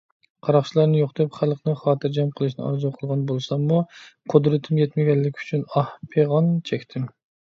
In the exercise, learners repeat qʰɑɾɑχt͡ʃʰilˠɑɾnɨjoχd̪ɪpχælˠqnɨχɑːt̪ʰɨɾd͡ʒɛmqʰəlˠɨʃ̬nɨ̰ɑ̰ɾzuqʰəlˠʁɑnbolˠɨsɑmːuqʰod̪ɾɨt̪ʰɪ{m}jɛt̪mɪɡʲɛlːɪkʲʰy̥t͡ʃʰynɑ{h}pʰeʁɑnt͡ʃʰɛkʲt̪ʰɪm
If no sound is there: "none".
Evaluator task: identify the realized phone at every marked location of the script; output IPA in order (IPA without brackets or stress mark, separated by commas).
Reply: m, h